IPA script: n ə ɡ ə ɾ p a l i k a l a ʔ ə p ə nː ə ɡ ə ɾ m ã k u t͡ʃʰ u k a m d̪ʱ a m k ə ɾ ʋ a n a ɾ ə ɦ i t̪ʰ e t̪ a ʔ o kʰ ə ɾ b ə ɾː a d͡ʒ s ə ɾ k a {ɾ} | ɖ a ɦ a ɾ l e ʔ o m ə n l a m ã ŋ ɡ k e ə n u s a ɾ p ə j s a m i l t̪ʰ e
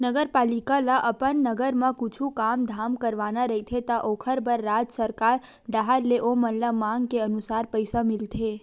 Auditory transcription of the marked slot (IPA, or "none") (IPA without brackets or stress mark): ɾ